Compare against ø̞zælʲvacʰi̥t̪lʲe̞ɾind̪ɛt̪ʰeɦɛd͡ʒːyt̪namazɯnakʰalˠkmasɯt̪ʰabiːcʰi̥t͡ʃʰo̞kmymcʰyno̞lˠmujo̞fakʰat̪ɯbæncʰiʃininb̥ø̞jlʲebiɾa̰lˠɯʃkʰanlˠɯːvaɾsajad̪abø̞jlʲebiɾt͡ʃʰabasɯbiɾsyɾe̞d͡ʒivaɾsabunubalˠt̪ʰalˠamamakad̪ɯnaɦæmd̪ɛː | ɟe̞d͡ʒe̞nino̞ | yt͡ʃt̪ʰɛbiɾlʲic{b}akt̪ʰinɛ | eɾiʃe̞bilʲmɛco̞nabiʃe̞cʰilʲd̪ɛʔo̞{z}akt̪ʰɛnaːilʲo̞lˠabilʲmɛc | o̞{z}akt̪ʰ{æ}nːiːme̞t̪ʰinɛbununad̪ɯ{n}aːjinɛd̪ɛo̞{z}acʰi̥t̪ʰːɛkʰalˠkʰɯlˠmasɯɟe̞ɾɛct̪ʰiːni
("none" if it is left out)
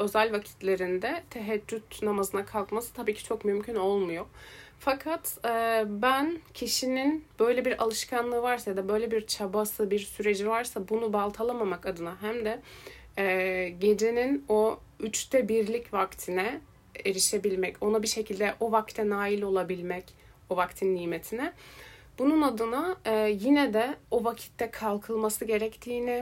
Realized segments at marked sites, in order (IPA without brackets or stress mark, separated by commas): v, v, v, i, n, v